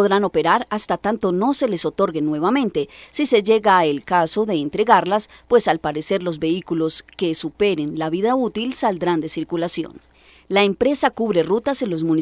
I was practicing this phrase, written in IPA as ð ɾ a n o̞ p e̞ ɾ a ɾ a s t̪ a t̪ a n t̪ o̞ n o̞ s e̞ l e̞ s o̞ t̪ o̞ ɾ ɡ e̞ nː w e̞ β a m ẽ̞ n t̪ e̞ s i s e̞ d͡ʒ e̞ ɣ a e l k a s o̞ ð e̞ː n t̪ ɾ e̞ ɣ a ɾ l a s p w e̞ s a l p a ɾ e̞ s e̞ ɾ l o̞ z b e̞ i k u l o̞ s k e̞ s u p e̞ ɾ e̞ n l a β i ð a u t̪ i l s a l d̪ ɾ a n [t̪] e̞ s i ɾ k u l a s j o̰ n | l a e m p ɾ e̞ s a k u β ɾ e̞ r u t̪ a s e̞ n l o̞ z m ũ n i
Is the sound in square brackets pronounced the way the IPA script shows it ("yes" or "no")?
no